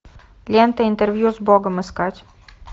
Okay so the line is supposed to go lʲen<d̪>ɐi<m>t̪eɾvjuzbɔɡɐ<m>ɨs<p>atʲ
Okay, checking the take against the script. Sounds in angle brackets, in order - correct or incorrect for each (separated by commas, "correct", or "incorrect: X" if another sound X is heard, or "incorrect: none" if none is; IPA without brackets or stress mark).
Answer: incorrect: t̪, incorrect: n, correct, incorrect: k